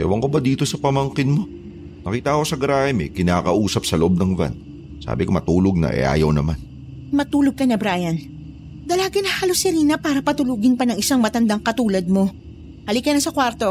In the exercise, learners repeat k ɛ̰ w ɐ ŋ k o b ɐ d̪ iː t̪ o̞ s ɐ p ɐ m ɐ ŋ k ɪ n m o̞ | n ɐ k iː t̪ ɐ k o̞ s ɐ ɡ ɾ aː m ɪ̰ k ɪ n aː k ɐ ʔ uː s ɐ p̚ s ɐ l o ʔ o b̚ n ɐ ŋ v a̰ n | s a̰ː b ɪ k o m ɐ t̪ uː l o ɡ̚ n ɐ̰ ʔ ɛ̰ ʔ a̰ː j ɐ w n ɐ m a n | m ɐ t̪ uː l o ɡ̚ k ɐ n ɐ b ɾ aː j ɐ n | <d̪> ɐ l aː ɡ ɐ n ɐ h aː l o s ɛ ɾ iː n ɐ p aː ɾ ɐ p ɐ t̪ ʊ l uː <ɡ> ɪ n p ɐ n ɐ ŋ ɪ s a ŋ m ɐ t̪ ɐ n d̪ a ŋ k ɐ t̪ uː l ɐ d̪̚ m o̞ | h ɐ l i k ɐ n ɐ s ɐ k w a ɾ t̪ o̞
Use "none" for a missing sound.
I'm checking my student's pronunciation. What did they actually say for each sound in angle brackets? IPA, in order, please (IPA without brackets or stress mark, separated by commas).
d̪, ɡ